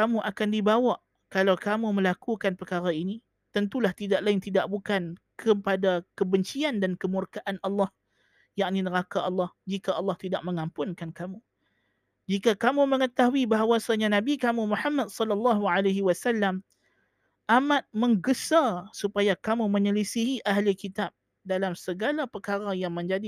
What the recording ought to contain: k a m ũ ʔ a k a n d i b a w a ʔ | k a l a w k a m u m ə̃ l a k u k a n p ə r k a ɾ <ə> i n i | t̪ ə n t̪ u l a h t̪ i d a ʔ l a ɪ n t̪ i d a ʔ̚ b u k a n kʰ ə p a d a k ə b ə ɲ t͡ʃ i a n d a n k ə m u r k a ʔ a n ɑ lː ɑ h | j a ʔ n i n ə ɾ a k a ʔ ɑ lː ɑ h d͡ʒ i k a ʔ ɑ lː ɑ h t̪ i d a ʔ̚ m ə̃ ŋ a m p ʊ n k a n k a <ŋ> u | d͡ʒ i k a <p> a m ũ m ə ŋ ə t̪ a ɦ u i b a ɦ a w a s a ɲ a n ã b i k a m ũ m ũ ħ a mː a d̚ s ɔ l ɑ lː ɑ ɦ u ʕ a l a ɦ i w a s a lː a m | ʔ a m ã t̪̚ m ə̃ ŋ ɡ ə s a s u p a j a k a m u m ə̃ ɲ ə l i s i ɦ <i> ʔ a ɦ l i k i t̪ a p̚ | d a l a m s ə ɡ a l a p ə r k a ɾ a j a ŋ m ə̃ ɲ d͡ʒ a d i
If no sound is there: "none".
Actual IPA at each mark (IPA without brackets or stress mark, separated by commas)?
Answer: a, m, k, i